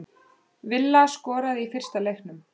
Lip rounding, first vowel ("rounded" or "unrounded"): unrounded